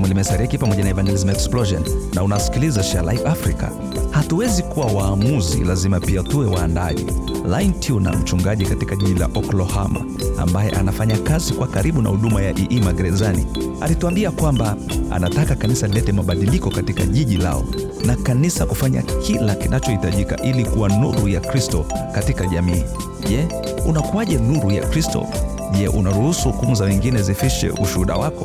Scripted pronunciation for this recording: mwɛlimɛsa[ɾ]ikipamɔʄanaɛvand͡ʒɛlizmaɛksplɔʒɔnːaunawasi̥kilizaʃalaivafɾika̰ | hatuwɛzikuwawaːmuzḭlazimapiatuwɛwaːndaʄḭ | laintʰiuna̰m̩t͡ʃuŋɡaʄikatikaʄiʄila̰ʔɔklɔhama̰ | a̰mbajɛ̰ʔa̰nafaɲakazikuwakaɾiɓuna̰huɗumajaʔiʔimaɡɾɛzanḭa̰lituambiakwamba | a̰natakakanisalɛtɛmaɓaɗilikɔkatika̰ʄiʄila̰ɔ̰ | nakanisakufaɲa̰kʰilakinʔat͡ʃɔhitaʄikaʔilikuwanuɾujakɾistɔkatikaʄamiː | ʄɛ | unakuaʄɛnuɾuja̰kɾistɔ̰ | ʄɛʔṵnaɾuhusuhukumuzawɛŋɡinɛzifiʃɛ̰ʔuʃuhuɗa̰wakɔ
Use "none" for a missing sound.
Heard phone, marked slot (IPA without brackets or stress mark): ɾ